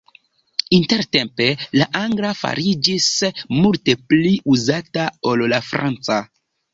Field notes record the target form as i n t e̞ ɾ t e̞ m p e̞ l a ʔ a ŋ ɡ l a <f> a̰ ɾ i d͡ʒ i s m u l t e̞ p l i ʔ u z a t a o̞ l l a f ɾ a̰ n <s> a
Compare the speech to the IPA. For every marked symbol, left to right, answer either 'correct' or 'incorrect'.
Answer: correct, incorrect

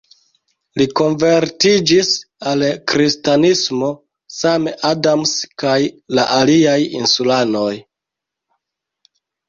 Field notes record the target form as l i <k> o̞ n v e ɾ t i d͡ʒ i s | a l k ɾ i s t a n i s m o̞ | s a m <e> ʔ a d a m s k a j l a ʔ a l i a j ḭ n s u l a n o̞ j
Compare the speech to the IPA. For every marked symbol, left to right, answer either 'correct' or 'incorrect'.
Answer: correct, correct

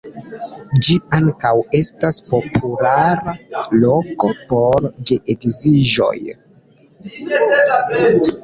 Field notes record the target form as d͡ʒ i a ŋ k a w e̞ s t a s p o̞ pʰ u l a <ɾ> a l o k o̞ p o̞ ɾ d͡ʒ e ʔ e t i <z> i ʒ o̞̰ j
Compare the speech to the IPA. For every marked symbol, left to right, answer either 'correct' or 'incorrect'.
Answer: correct, correct

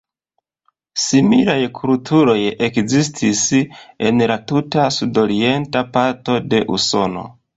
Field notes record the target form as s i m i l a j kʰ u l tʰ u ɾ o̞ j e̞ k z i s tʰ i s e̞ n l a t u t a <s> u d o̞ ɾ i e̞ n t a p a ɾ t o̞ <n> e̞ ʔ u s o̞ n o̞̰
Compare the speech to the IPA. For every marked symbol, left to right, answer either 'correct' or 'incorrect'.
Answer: correct, incorrect

